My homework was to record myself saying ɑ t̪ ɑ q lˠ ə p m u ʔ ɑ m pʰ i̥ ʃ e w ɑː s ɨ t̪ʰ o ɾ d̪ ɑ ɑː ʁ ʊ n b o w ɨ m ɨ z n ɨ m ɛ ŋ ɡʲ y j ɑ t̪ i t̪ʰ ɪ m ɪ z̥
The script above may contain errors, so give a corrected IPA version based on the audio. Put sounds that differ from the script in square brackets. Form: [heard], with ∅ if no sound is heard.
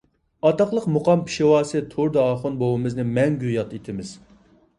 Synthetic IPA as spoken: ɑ t̪ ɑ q lˠ ə [q] m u [q] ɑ m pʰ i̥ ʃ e w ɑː s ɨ t̪ʰ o ɾ d̪ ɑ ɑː [χ] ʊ n b o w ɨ m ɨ z n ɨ m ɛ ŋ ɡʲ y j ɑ t̪ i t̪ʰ ɪ m ɪ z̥

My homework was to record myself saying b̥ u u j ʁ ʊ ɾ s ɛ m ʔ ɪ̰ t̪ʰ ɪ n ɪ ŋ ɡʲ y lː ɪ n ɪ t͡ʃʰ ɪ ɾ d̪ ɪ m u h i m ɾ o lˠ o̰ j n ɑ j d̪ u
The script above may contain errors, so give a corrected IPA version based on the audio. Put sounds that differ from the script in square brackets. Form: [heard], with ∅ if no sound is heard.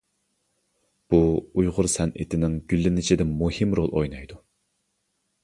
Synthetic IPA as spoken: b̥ u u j ʁ ʊ ɾ s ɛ [n] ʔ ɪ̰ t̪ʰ ɪ n ɪ ŋ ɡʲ y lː ɪ n ɪ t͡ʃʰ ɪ [∅] d̪ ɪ m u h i m ɾ o lˠ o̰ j n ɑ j d̪ u

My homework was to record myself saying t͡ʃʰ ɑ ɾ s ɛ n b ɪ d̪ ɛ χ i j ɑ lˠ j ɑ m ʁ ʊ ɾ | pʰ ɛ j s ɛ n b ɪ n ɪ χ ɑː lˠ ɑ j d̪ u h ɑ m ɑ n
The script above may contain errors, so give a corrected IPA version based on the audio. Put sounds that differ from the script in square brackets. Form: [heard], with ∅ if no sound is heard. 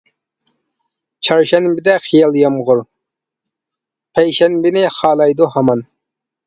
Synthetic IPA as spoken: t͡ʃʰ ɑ ɾ [ʃ] ɛ n b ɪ d̪ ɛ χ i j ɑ lˠ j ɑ m ʁ ʊ ɾ | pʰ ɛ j [ʃ] ɛ n b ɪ n ɪ χ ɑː lˠ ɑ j d̪ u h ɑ m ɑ n

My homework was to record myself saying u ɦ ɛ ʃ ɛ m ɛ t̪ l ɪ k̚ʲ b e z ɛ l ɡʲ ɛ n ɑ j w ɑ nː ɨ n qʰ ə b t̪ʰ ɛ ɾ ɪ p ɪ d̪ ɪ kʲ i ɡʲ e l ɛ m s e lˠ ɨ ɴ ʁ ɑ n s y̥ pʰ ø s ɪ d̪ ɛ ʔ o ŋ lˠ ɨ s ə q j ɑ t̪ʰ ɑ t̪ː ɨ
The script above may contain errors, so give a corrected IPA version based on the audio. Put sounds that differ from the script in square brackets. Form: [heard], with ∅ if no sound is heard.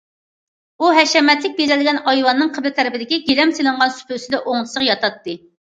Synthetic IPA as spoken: u ɦ ɛ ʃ ɛ m ɛ t̪ l ɪ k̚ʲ b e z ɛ l ɡʲ ɛ n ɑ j w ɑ nː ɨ [ŋ] qʰ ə b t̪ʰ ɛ ɾ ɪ p ɪ d̪ ɪ kʲ i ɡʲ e l ɛ m s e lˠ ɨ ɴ ʁ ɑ n s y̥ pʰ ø s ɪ d̪ ɛ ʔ o ŋ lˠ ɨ s ə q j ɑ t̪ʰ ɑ t̪ː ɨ

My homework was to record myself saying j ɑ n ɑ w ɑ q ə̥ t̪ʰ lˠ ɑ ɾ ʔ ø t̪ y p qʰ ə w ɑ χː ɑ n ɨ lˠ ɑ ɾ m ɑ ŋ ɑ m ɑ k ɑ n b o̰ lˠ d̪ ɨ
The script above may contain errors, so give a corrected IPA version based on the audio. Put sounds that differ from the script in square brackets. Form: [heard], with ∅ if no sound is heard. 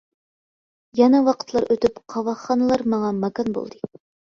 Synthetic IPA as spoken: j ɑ n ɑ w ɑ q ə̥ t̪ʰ lˠ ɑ ɾ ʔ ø t̪ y p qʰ [ɑ] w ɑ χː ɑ n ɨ lˠ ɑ ɾ m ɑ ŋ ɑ m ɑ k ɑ n b o̰ lˠ d̪ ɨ

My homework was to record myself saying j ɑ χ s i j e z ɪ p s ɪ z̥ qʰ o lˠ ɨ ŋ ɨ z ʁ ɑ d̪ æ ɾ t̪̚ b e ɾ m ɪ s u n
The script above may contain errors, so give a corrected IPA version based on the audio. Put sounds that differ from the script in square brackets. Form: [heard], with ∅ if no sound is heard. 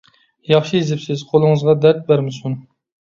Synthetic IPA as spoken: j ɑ χ [ʃ] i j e z ɪ p s ɪ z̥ qʰ o lˠ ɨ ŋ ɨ z ʁ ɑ d̪ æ ɾ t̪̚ b [æ] ɾ m ɪ s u n

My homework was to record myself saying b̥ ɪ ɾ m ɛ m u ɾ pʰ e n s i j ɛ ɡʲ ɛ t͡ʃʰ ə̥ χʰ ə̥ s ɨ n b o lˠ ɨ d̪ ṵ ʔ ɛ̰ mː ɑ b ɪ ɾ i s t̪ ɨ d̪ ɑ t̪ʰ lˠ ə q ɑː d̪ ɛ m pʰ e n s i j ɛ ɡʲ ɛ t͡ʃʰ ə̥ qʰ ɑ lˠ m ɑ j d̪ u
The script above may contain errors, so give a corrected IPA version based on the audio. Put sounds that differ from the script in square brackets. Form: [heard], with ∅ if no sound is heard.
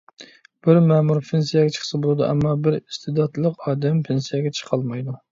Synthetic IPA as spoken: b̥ ɪ ɾ m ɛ m u ɾ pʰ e n s i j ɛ ɡʲ ɛ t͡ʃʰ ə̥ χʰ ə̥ s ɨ [∅] b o lˠ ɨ d̪ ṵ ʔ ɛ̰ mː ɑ b ɪ ɾ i s t̪ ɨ d̪ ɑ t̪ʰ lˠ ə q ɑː d̪ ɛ m pʰ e n s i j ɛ ɡʲ ɛ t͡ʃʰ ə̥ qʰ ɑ lˠ m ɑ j d̪ u

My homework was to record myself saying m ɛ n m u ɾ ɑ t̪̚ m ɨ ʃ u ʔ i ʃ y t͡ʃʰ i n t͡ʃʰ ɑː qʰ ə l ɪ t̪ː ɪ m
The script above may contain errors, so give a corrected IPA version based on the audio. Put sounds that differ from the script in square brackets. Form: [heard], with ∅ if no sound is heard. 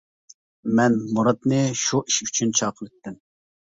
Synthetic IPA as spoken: m ɛ n m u ɾ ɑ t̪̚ [n] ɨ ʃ u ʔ i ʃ y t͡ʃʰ [y] n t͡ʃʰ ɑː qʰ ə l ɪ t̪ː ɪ m

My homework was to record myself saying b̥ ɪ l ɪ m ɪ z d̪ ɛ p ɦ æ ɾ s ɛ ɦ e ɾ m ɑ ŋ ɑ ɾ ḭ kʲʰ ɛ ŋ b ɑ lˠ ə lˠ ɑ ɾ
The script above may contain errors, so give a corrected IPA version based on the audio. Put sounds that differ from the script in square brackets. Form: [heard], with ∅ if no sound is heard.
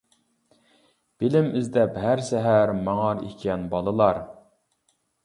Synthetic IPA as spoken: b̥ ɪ l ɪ m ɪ z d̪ ɛ p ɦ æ ɾ s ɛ ɦ [æ] ɾ m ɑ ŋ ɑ ɾ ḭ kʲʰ ɛ [n] b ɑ lˠ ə lˠ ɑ ɾ

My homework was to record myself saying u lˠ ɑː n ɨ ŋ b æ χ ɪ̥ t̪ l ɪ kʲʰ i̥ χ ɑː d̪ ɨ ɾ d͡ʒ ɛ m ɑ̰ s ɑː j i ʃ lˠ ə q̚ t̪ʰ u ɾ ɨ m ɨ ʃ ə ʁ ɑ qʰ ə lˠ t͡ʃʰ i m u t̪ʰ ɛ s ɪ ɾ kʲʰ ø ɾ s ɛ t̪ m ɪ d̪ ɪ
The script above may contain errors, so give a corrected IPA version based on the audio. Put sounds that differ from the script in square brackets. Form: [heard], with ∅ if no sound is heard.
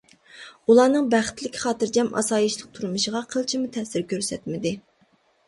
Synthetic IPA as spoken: u lˠ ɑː n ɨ ŋ b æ χ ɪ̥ t̪ l ɪ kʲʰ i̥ χ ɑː [t̪] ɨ ɾ d͡ʒ ɛ m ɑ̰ s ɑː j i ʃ lˠ ə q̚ t̪ʰ u ɾ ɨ m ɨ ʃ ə ʁ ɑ qʰ ə lˠ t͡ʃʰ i m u t̪ʰ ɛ s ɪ ɾ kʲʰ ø ɾ s ɛ t̪ m ɪ d̪ ɪ

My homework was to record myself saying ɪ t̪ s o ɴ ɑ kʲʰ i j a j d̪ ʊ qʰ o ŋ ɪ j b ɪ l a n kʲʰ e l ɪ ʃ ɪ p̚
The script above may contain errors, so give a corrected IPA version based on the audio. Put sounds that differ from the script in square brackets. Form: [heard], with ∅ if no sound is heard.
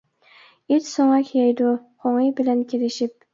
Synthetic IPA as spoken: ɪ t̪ s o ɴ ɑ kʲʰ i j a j d̪ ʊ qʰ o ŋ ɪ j b ɪ l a n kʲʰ e l ɪ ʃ ɪ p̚

